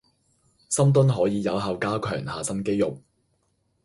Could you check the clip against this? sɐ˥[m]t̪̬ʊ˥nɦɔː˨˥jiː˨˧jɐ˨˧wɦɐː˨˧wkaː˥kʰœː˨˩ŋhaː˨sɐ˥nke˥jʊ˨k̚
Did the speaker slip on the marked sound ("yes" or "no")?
no